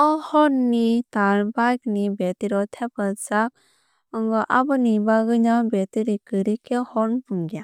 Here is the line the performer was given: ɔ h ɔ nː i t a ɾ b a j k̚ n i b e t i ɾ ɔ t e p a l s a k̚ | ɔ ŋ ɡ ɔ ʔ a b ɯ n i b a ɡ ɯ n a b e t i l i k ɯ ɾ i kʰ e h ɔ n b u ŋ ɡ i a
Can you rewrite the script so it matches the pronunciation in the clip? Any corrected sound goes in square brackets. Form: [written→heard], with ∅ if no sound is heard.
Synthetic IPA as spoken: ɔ h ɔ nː i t a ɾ b a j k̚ n i b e t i ɾ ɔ [t→tʰ] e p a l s a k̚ | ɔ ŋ ɡ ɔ ʔ a b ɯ n i b a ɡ ɯ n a b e t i [l→ɾ] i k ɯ ɾ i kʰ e h ɔ n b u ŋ ɡ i a